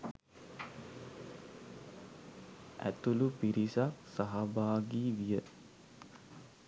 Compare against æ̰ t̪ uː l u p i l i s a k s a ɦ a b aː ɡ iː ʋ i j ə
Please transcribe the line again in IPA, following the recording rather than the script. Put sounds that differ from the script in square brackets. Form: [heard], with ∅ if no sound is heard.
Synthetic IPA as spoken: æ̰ t̪ [u] l u p i [ɾ] i s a k s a ɦ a b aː ɡ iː ʋ i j ə